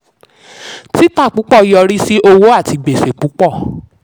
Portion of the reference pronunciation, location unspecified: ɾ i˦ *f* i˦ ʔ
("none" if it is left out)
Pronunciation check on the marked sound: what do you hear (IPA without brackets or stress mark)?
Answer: s